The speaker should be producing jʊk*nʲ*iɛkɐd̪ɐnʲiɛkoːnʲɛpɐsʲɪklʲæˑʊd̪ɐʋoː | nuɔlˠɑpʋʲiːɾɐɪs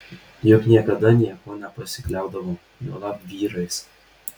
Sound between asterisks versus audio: correct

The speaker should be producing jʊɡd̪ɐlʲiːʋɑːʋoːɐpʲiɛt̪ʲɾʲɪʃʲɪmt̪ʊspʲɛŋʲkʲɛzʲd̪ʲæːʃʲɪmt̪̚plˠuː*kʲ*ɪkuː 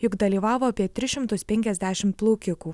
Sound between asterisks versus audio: correct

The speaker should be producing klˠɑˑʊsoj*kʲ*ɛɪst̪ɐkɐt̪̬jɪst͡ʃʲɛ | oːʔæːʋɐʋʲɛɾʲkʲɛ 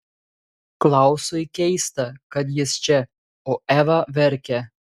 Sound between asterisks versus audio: correct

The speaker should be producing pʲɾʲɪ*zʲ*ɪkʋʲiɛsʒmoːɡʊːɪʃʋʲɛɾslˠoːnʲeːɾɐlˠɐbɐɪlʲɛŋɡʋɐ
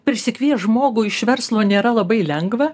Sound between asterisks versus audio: incorrect: sʲ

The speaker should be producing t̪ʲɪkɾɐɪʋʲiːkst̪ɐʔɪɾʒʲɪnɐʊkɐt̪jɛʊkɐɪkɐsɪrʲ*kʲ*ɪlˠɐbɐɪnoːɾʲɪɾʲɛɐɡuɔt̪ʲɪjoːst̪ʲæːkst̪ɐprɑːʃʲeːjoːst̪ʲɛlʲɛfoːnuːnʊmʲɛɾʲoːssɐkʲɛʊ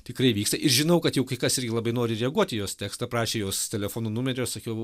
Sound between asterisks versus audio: incorrect: ɡʲ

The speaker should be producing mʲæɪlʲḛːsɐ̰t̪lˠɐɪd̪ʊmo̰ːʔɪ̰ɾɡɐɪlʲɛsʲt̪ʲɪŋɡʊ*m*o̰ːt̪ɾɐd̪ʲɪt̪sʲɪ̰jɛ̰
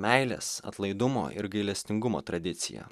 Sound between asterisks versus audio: correct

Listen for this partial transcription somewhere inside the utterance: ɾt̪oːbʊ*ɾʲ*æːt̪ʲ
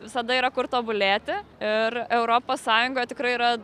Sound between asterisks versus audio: incorrect: lʲ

